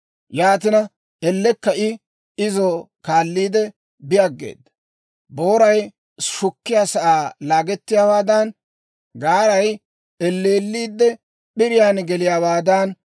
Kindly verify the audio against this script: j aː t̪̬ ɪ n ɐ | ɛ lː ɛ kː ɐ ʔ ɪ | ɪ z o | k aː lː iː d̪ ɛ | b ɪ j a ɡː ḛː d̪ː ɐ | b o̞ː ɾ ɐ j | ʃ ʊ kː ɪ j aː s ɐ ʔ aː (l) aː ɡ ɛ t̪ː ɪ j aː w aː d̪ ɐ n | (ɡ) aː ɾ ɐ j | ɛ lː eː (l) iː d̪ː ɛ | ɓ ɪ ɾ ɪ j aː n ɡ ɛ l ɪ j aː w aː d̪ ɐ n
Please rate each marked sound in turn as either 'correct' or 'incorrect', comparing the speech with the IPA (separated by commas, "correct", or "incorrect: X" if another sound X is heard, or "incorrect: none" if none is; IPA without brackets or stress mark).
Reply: correct, correct, incorrect: lː